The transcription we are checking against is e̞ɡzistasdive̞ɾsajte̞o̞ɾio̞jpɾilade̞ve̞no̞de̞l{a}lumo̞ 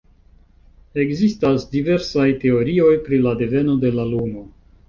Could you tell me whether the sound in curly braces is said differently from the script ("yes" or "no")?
no